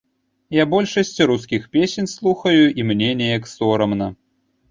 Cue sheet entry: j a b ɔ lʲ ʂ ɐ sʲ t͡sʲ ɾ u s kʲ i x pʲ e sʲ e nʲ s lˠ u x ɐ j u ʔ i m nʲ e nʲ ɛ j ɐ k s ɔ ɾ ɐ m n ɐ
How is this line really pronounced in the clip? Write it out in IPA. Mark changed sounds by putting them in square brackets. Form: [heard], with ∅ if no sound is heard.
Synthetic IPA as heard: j a b ɔ lʲ ʂ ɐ sʲ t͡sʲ ɾ u s kʲ i x pʲ e sʲ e nʲ s lˠ u x ɐ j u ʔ i m nʲ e nʲ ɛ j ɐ k s ɔ ɾ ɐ m n ɐ

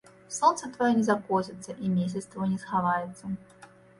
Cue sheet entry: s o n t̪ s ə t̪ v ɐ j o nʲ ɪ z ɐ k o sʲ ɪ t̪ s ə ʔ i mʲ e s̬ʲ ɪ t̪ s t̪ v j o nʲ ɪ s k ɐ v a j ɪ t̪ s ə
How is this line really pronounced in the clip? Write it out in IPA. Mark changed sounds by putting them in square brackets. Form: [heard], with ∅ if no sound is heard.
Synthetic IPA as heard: s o n t̪ s ə t̪ v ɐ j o nʲ ɪ z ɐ k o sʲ ɪ t̪ s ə ʔ i mʲ e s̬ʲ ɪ t̪ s t̪ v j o nʲ ɪ s [x] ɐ v a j ɪ t̪ s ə

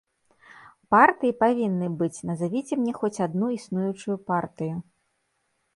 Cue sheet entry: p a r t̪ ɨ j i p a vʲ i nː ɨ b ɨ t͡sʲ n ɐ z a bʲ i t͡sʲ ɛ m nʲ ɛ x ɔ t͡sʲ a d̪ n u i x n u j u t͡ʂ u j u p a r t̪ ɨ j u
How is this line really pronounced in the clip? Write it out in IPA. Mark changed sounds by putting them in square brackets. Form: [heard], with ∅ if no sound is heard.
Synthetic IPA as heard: p a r t̪ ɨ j i p a vʲ i nː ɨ b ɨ t͡sʲ n ɐ z a [vʲ] i t͡sʲ ɛ m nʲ ɛ x ɔ t͡sʲ a d̪ n u i [s] n u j u t͡ʂ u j u p a r t̪ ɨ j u

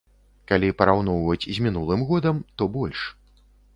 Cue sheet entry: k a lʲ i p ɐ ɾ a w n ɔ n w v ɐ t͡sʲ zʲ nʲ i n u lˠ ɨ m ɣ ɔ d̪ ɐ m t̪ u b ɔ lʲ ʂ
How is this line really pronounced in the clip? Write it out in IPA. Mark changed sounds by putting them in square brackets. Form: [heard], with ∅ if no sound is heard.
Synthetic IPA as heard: k a lʲ i p ɐ ɾ a w n ɔ [∅] w v ɐ t͡sʲ zʲ [mʲ] i n u lˠ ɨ m ɣ ɔ d̪ ɐ m t̪ [ɔ] b ɔ lʲ ʂ

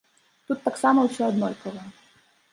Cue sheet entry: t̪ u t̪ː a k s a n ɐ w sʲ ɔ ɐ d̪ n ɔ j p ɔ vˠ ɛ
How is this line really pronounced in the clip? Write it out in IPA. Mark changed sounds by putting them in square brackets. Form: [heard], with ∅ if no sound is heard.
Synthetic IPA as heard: t̪ u t̪ː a k s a [m] ɐ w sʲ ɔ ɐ d̪ n ɔ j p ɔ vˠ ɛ

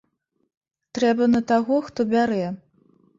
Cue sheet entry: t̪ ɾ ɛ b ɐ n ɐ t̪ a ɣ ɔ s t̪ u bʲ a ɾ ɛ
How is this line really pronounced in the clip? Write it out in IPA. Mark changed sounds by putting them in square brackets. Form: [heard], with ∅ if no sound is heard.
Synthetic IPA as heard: t̪ ɾ ɛ b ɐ n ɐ t̪ a ɣ ɔ [x] t̪ [ɔ] bʲ a ɾ ɛ

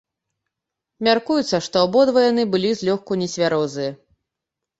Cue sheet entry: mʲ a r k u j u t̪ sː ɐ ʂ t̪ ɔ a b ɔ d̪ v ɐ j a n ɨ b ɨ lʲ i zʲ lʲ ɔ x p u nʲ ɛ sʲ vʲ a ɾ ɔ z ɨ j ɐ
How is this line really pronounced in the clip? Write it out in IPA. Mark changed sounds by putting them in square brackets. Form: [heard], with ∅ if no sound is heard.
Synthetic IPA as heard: mʲ a r k u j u t̪ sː ɐ ʂ t̪ ɔ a b ɔ d̪ v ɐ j a n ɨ b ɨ lʲ i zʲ lʲ ɔ x [k] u nʲ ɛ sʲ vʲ a ɾ ɔ z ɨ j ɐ

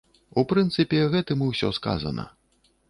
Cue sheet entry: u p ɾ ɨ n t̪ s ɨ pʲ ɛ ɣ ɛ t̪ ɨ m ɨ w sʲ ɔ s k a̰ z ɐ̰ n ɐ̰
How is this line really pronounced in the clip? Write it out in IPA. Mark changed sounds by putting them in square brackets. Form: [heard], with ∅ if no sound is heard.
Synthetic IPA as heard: u p ɾ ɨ n t̪ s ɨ pʲ ɛ ɣ ɛ t̪ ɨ m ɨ w sʲ ɔ s k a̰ z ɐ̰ n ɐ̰

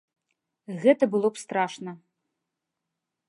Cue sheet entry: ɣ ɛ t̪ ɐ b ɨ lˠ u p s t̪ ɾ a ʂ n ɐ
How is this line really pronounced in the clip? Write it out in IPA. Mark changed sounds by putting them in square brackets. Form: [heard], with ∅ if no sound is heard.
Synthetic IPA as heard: ɣ ɛ t̪ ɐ b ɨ lˠ [ɔ] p s t̪ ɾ a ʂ n ɐ

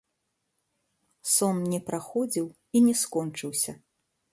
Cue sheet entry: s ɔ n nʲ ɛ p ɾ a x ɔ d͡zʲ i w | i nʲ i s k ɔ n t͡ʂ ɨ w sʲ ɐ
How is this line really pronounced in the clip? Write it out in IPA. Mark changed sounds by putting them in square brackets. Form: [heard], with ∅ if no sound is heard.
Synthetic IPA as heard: s ɔ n nʲ ɛ p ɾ a x ɔ d͡zʲ i w | i nʲ [ɛ] s k ɔ n t͡ʂ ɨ w sʲ ɐ

